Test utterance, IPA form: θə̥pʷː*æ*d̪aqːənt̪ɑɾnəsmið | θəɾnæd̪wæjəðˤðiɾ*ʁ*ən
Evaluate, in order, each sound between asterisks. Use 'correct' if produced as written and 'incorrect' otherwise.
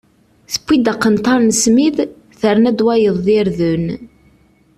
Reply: incorrect: i, incorrect: ð

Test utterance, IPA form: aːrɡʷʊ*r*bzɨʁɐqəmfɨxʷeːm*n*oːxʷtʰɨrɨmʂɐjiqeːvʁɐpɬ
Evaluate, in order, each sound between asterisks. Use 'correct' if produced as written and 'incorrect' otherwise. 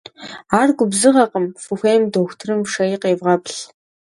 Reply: incorrect: none, incorrect: d

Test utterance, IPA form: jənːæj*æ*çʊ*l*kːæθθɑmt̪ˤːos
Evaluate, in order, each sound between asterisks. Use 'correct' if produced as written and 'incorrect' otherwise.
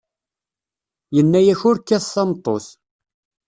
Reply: correct, incorrect: ɾ

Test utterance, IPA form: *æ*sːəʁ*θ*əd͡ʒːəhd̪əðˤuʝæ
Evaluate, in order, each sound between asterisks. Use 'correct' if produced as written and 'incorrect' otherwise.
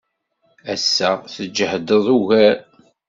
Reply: correct, correct

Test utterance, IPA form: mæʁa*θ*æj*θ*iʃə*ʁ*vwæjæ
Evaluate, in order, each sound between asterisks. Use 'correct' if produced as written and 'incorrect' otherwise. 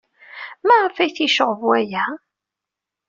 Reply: incorrect: f, correct, correct

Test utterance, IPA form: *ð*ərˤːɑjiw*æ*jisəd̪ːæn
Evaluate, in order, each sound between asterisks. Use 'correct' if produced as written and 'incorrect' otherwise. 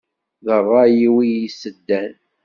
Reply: correct, incorrect: i

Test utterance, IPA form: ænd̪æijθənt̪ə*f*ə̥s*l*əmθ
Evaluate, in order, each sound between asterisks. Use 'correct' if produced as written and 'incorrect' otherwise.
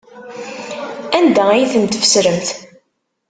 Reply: correct, incorrect: ɾ

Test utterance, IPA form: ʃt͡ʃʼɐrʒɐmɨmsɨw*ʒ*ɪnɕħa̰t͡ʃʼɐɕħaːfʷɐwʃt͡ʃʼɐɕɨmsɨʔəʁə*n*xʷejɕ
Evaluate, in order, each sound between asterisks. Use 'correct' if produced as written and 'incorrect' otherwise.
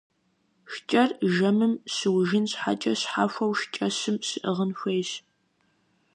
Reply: correct, correct

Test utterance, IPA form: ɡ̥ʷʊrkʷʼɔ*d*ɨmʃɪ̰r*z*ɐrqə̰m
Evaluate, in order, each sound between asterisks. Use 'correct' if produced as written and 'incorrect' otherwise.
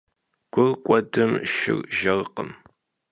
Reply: correct, incorrect: ʒ

